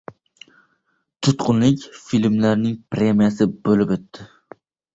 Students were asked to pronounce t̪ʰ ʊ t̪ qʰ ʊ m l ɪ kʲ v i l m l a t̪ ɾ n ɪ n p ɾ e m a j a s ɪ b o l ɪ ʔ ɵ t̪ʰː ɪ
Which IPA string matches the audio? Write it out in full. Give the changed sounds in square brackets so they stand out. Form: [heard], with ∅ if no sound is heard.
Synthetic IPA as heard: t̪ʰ ʊ t̪ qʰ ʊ [n] l ɪ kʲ [f] i l m l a [∅] ɾ n ɪ [ŋ] p ɾ e m [i] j a s ɪ b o l ɪ [p] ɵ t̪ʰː ɪ